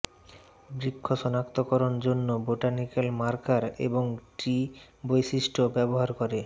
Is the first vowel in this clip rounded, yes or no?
no